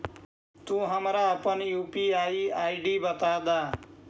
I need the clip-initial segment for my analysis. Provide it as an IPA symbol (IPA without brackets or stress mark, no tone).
t̪